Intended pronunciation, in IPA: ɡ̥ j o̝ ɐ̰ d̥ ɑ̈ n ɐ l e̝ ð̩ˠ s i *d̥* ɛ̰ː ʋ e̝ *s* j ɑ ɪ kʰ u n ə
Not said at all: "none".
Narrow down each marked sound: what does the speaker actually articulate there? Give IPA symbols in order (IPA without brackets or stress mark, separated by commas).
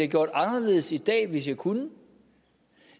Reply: d̥, s